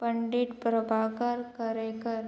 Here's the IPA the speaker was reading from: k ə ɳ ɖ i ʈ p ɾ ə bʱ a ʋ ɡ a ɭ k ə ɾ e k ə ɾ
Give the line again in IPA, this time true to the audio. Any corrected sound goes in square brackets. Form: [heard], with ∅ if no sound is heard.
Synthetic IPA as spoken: [p] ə ɳ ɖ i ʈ p ɾ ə bʱ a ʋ [k] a [ɾ] k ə ɾ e k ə ɾ